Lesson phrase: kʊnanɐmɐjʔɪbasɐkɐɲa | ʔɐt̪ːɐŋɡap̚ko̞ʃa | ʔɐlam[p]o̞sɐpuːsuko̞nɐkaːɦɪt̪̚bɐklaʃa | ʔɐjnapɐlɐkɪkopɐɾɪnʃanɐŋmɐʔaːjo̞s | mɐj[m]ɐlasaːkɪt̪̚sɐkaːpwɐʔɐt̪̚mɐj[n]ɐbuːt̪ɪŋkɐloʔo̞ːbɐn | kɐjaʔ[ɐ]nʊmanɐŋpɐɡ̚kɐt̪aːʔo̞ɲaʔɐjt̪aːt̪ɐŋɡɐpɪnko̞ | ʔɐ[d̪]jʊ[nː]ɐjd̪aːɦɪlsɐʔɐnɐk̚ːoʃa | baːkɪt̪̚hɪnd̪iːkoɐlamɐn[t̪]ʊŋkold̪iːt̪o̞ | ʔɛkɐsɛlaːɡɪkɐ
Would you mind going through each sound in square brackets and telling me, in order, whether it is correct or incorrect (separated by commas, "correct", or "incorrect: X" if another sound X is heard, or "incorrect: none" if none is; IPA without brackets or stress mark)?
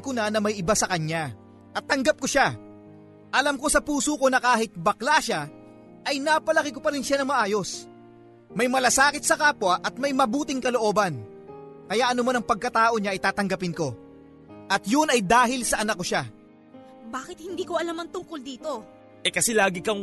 incorrect: k, correct, incorrect: m, correct, incorrect: t̪, incorrect: n, correct